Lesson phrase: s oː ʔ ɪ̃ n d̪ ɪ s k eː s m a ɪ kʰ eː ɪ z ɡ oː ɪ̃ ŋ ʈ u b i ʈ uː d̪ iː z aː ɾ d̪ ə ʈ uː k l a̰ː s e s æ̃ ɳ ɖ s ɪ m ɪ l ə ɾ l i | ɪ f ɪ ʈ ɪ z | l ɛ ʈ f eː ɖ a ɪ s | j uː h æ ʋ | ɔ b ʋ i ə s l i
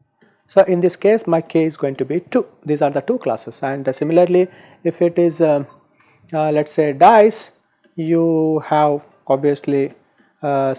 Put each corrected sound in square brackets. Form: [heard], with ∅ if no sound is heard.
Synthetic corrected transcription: s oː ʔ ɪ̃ n d̪ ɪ s k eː s m a ɪ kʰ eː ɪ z ɡ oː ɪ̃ ŋ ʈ u b i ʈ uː d̪ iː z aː ɾ d̪ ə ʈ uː k l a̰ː s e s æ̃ ɳ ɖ s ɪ m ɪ l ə ɾ l i | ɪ f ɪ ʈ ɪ z | l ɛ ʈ [s] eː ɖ a ɪ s | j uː h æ ʋ | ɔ b ʋ i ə s l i